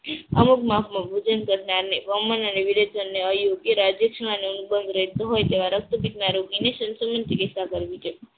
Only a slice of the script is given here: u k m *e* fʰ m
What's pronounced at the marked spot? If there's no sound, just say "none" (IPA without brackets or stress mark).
a